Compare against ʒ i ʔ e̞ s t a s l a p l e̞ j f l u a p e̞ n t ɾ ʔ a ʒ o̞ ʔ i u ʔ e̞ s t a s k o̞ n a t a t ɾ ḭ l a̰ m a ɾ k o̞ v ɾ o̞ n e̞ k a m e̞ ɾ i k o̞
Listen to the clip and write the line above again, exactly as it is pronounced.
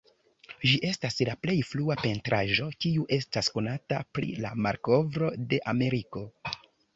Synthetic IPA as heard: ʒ i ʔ e̞ s t a s l a p l e̞ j f l u a p e̞ n t ɾ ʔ a ʒ o̞ k i u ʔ e̞ s t a s k o̞ n a t a p ɾ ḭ l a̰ m a ɾ k o̞ v ɾ o̞ d e̞ ʔ a m e̞ ɾ i k o̞

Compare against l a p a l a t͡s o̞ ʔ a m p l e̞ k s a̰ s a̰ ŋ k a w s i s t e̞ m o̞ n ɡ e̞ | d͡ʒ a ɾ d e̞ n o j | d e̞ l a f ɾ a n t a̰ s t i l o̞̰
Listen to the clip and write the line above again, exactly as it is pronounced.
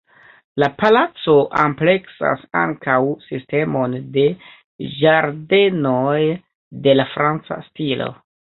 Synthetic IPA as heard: l a p a l a t͡s o̞ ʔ a m p l e̞ k s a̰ s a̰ ŋ k a w s i s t e̞ m o̞ n d e̞ | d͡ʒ a ɾ d e̞ n o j | d e̞ l a f ɾ a n t͡s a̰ s t i l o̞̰

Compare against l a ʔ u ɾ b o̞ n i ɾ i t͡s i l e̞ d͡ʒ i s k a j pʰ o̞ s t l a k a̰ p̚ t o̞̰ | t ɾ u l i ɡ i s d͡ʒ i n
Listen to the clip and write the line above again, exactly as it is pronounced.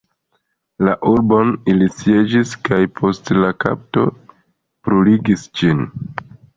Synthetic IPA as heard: l a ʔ u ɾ b o̞ n i l i t͡s i e̞ d͡ʒ i s k a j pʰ o̞ s t l a k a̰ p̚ t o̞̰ | p ɾ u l i ɡ i s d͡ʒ i n

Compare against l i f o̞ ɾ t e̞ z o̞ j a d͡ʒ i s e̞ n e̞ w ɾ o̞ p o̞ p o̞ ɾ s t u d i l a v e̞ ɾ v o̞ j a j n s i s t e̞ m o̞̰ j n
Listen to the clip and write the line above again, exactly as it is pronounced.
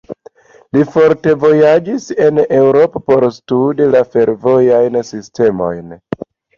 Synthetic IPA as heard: l i f o̞ ɾ t e̞ v o̞ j a d͡ʒ i s e̞ n e̞ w ɾ o̞ p o̞ p o̞ ɾ s t u d i l a f e̞ ɾ v o̞ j a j n s i s t e̞ m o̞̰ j n

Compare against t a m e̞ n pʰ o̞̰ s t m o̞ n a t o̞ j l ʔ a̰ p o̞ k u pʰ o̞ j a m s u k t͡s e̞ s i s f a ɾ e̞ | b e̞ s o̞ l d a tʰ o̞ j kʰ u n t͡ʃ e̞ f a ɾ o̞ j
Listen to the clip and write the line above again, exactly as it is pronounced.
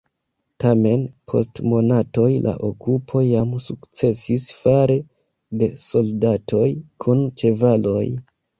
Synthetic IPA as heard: t a m e̞ n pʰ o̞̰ s t m o̞ n a t o̞ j l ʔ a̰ ʔ o̞ k u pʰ o̞ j a m s u k t͡s e̞ s i s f a ɾ e̞ | d e̞ s o̞ l d a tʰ o̞ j kʰ u n t͡ʃ e̞ v a l o̞ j

